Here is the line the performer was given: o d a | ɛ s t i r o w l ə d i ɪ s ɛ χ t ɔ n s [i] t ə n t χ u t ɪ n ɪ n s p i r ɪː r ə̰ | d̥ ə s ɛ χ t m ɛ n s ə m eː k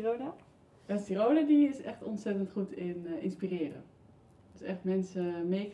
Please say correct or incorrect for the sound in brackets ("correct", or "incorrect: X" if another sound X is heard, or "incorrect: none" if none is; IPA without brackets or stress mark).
incorrect: ɛ